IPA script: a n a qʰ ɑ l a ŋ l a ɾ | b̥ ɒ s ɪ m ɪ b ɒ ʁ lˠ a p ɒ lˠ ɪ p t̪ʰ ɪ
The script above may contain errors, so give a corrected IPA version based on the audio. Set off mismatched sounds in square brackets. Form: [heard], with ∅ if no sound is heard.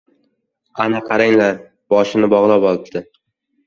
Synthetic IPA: a n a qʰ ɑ [ɾ] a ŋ l a ɾ | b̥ ɒ [ʃ] ɪ [n] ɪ b ɒ ʁ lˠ a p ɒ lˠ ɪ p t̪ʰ ɪ